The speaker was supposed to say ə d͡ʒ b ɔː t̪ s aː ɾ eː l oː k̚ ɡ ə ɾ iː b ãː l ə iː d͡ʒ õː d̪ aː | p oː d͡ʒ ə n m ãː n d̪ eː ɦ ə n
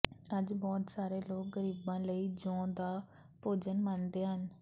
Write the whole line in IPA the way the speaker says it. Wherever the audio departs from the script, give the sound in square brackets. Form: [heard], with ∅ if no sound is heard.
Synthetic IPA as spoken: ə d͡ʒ b ɔː t̪ s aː ɾ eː l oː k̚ ɡ ə ɾ iː b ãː l ə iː d͡ʒ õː d̪ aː | p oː d͡ʒ ə n m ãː n d̪ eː ɦ ə n